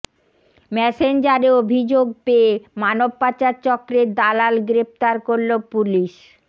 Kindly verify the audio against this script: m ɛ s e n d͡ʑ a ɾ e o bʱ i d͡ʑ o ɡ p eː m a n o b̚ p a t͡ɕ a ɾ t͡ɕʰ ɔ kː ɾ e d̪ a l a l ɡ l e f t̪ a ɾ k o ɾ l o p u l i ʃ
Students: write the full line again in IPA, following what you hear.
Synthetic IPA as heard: m ɛ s e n d͡ʑ a ɾ e o bʱ i d͡ʑ o ɡ p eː m a n o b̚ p a t͡ɕ a ɾ t͡ɕ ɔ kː ɾ e d̪ a l a l ɡ ɾ e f t̪ a ɾ k o ɾ l o p u l i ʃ